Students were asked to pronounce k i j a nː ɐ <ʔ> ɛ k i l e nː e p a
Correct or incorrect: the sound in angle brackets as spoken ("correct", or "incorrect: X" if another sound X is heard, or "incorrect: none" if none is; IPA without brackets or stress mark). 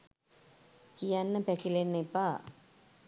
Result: incorrect: p